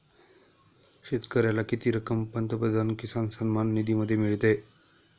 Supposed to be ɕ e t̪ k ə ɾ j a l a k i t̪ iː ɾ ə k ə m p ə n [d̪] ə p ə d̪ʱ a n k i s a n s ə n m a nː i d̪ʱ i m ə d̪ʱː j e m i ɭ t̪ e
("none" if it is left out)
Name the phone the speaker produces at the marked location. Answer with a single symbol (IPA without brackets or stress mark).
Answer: t̪